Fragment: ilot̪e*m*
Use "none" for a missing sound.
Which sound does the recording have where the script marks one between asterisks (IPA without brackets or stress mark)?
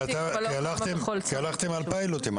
m